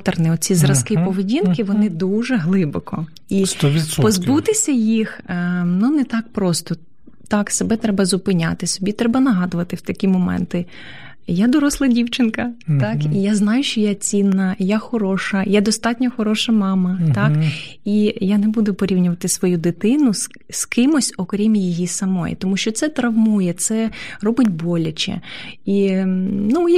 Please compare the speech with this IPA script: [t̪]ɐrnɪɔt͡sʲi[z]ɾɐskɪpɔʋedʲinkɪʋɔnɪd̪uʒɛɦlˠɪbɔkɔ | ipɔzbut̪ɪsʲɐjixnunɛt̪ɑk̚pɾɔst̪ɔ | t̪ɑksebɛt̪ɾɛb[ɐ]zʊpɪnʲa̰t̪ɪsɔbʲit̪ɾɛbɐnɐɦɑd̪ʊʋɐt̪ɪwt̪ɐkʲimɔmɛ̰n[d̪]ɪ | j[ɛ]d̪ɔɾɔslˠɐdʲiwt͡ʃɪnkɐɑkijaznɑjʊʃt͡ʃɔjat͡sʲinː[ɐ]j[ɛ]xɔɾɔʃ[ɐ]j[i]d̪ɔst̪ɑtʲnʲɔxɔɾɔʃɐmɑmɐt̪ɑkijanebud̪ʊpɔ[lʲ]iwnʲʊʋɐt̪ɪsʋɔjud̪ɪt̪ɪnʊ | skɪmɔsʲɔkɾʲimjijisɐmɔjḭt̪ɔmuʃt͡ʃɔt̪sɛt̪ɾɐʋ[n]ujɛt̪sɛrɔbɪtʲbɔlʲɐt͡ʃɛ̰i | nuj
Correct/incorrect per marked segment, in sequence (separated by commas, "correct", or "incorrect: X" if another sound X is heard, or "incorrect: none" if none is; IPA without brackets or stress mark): correct, correct, correct, incorrect: t̪, incorrect: a, correct, incorrect: a, correct, incorrect: a, incorrect: ɾʲ, incorrect: m